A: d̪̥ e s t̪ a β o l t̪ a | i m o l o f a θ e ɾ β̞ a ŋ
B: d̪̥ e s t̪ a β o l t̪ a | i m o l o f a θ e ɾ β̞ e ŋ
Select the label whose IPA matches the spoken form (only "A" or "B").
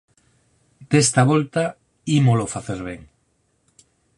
B